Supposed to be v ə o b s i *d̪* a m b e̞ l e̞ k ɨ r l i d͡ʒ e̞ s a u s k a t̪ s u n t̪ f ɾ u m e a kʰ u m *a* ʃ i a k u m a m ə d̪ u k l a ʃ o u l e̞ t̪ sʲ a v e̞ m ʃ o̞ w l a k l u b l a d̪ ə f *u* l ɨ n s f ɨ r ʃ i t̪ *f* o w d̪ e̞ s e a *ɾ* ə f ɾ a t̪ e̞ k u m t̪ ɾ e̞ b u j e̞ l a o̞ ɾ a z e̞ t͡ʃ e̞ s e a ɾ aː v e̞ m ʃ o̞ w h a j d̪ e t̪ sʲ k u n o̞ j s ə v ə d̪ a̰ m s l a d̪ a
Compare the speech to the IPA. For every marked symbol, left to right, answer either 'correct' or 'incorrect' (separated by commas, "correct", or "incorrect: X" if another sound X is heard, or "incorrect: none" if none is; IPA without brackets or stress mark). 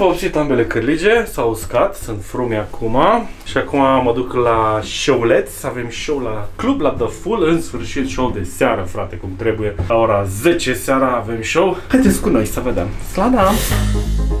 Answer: incorrect: t̪, correct, correct, incorrect: ʃ, correct